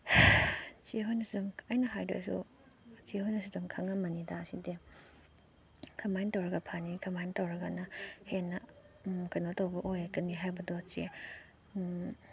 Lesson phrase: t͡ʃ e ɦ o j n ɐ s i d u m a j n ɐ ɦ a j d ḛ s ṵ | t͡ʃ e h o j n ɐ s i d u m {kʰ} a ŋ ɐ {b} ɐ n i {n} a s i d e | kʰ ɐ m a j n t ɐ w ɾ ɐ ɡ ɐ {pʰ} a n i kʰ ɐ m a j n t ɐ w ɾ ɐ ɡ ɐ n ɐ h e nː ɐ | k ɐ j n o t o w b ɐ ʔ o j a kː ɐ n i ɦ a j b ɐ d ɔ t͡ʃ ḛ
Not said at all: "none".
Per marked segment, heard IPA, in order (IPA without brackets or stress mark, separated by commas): kʰ, m, d, pʰ